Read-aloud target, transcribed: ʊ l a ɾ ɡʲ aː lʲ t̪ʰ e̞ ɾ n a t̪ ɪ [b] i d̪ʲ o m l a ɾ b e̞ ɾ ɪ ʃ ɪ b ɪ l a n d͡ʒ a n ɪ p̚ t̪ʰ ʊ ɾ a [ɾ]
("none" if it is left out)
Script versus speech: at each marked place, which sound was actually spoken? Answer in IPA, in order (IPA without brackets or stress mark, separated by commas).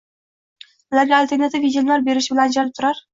v, ɾ